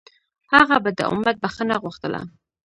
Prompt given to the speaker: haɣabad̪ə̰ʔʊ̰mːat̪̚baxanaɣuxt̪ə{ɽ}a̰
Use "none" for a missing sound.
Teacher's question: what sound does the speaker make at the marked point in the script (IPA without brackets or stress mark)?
l